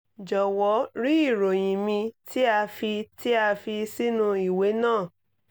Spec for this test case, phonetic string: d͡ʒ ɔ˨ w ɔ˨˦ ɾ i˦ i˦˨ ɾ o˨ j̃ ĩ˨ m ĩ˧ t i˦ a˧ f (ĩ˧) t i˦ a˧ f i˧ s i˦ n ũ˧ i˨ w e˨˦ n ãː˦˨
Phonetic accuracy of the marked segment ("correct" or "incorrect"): incorrect